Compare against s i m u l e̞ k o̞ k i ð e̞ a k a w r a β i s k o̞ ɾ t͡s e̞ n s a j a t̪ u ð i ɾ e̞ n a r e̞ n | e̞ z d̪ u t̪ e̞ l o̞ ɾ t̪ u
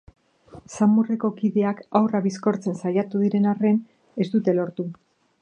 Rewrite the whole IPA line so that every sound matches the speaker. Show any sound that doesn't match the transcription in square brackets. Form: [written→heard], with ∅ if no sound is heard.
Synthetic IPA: s [i→a] m u [l→r] e̞ k o̞ k i ð e̞ a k a w r a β i s k o̞ ɾ t͡s e̞ n s a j a t̪ u ð i ɾ e̞ n a r e̞ n | e̞ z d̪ u t̪ e̞ l o̞ ɾ t̪ u

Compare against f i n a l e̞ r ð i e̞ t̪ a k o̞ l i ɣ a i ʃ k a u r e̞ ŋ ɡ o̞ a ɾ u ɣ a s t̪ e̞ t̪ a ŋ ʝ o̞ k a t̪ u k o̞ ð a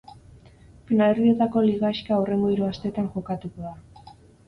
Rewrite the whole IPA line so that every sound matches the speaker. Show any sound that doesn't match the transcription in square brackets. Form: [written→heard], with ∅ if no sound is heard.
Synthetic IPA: f i n a l e̞ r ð i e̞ t̪ a k o̞ l i ɣ a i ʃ k a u r e̞ ŋ ɡ o̞ [a→i] ɾ u [ɣ→∅] a s t̪ e̞ t̪ a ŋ ʝ o̞ k a t̪ u k o̞ ð a

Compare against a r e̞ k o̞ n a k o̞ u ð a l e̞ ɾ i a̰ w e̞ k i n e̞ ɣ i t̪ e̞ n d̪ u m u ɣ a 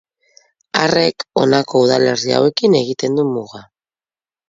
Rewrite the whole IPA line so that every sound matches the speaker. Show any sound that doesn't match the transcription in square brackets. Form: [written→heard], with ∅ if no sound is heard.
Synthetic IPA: a r e̞ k o̞ n a k o̞ u ð a l e̞ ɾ i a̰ w e̞ k i n e̞ ɣ i t̪ e̞ n d̪ u m u ɣ a

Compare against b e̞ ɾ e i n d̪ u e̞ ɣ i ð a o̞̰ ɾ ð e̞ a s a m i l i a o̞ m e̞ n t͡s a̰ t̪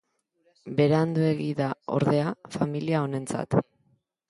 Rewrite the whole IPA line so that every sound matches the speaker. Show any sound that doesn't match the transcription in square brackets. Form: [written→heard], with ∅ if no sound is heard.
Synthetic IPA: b e̞ ɾ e [i→a] n d̪ u e̞ ɣ i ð a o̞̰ ɾ ð e̞ a [s→f] a m i l i a o̞ [m→n] e̞ n t͡s a̰ t̪

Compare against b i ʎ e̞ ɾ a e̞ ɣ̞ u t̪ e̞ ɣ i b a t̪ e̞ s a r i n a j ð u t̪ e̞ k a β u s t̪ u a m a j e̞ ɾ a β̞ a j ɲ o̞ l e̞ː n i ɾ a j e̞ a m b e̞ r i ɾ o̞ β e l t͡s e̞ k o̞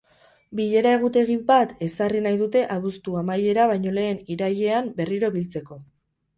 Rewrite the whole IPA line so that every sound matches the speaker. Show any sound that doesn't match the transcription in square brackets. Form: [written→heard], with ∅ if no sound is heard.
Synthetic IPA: b i ʎ e̞ ɾ a e̞ ɣ̞ u t̪ e̞ ɣ i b a t̪ e̞ s a r i n a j ð u t̪ e̞ [k→ʔ] a β u s t̪ u a m a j e̞ ɾ a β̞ a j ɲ o̞ l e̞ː n i ɾ a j e̞ a m b e̞ r i ɾ o̞ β [e→i] l t͡s e̞ k o̞

